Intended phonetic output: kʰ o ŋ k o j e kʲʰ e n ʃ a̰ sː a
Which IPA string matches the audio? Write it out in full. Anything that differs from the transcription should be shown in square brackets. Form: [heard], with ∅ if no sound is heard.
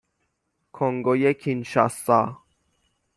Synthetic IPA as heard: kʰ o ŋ [ɡ] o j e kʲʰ [i] n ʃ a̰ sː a